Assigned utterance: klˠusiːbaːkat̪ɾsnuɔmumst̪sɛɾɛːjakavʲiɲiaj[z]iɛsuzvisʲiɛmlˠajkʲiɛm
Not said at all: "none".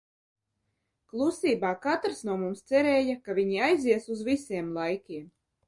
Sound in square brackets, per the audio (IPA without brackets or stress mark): z